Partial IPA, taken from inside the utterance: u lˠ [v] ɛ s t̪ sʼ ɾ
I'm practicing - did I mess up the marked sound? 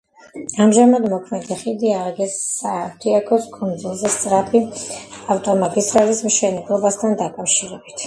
yes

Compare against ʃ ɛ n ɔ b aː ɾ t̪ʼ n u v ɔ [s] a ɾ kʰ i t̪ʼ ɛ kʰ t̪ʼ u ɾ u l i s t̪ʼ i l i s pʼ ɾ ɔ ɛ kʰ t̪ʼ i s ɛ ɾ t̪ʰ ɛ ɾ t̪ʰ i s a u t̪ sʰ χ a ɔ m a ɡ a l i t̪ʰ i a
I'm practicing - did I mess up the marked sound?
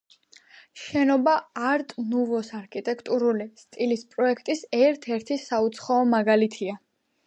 no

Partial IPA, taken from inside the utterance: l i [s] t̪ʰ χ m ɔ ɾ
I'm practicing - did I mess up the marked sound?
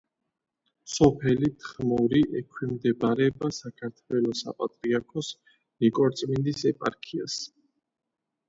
yes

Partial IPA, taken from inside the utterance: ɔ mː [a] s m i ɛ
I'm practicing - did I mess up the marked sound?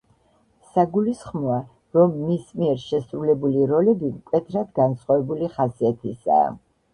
yes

